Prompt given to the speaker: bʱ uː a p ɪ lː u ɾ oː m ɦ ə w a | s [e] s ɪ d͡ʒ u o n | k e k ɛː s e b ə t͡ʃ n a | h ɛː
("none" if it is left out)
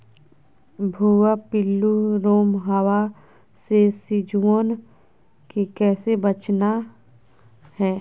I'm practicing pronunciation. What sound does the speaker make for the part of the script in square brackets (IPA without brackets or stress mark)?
e